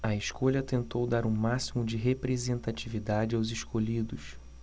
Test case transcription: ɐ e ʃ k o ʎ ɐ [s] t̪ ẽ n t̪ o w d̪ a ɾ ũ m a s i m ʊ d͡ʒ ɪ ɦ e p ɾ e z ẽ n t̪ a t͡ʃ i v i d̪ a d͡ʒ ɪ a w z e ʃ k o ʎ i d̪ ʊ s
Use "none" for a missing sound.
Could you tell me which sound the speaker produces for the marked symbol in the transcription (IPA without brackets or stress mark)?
none